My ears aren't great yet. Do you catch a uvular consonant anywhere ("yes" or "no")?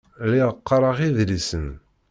yes